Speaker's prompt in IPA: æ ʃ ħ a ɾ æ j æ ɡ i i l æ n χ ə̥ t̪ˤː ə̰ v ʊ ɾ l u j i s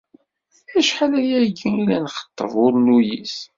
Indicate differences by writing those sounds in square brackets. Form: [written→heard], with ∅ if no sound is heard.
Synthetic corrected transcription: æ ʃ ħ a [ɾ→l] æ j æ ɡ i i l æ n χ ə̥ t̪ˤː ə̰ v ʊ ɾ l u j i s